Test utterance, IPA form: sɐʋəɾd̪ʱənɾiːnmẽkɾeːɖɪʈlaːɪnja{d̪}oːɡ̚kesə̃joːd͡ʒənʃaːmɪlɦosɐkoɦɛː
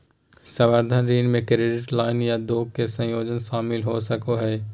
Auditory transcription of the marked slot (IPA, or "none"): d̪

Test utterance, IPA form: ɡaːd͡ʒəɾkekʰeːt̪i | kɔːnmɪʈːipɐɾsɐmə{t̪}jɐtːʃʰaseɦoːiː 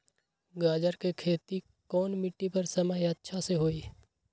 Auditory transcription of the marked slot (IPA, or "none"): none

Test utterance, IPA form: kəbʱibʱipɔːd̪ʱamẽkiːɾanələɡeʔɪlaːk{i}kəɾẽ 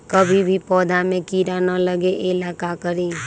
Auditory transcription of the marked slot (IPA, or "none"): a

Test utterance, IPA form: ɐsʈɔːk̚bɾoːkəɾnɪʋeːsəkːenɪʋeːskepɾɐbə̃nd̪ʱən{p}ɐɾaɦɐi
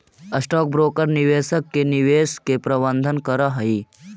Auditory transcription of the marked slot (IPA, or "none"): k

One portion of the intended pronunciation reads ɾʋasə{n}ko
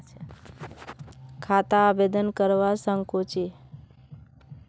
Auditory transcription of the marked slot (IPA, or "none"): ŋ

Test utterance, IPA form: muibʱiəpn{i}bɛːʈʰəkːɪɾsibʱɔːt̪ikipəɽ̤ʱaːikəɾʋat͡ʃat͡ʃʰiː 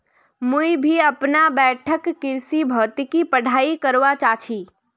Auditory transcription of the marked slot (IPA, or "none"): a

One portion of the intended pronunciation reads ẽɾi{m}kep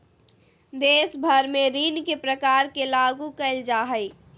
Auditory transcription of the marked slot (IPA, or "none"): n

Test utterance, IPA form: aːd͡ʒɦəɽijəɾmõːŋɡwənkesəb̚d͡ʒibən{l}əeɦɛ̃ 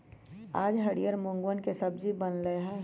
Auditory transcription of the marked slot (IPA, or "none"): l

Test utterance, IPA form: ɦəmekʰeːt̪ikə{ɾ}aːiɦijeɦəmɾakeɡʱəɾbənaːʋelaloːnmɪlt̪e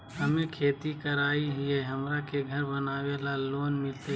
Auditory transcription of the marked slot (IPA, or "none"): ɾ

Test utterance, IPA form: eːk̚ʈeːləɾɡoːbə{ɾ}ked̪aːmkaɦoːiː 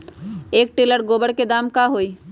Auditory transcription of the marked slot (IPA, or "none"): ɽ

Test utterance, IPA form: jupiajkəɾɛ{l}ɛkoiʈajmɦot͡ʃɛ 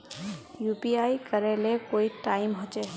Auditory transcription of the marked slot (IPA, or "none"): l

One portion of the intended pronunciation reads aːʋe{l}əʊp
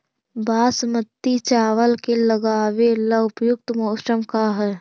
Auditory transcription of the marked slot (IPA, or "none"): l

